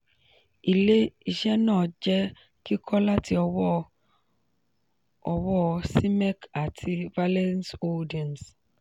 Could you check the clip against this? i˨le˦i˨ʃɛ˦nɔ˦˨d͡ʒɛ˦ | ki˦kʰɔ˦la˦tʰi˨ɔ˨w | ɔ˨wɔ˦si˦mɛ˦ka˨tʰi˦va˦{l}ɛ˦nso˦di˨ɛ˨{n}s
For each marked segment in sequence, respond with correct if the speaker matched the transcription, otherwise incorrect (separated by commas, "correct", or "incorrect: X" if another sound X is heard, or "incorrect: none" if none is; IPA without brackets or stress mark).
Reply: correct, correct